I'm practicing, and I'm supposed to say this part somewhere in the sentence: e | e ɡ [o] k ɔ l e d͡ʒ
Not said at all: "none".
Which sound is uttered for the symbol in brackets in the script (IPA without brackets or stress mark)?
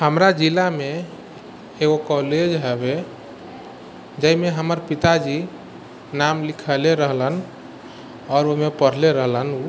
o